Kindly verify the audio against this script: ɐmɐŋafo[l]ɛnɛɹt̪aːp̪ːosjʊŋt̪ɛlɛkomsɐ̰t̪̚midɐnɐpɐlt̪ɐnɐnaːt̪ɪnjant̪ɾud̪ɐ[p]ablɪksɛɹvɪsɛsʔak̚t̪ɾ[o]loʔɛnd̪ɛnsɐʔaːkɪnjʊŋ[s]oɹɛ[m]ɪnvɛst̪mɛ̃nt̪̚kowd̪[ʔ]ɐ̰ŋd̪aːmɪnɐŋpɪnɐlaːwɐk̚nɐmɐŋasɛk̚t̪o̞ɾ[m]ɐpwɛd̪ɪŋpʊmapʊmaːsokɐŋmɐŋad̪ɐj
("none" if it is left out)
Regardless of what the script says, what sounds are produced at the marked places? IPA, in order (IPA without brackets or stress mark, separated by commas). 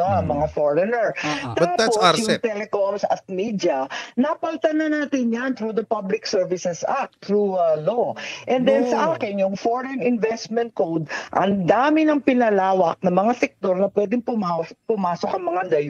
ɹ, p, u, f, n, ʔ, n